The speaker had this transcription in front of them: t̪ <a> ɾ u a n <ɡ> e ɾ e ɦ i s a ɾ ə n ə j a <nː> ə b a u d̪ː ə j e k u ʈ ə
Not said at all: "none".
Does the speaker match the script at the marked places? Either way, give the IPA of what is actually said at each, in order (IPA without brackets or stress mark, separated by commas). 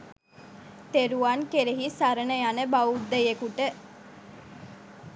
e, k, n